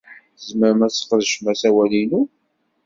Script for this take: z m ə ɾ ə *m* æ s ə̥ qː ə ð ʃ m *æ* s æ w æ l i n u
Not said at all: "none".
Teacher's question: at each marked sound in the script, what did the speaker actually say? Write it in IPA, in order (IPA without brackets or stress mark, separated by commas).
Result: m, æ